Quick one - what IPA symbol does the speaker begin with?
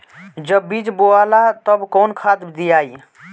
d͡ʒ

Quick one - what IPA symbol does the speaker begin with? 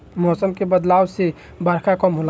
m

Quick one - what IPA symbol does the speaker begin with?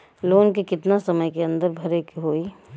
l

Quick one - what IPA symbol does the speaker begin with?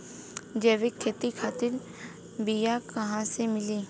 d͡ʒ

